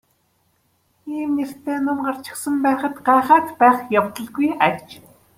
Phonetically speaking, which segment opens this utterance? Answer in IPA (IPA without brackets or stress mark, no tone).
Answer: iː